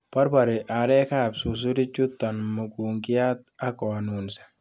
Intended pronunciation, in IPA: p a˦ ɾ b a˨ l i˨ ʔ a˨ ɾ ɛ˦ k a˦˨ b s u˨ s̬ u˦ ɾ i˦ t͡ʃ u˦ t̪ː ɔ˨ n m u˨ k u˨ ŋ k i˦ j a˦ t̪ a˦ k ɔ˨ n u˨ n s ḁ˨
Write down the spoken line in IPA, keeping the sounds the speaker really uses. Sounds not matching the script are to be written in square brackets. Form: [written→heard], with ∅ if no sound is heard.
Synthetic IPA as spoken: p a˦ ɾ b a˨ [l→ɾ] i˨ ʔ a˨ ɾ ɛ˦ k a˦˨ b s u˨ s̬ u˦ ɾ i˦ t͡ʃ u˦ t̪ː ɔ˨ n m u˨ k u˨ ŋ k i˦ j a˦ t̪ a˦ k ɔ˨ n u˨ n s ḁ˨